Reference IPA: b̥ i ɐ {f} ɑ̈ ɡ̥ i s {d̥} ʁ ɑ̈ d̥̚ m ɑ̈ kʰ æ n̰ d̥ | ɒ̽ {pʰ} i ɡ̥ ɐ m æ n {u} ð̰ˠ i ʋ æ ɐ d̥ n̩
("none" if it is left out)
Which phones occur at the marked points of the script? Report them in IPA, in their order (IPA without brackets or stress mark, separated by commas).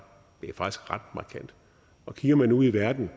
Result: f, ɡ̥, kʰ, u